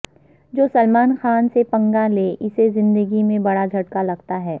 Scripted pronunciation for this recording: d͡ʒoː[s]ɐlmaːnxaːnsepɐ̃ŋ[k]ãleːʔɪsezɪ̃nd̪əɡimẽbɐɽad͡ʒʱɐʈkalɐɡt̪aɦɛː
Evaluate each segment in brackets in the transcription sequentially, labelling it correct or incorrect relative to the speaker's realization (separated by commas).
correct, incorrect